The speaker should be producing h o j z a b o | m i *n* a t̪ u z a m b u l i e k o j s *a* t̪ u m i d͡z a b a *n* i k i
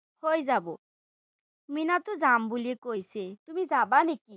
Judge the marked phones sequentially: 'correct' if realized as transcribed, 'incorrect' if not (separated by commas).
correct, incorrect, correct